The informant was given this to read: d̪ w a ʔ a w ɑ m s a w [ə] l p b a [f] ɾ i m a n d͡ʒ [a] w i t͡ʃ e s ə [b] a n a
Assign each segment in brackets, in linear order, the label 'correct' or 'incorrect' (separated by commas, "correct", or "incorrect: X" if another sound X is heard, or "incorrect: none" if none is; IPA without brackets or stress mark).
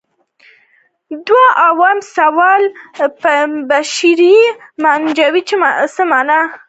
incorrect: ɑ, incorrect: ʃ, correct, incorrect: m